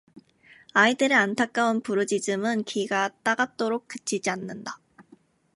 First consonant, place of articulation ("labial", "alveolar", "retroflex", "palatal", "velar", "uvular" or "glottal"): alveolar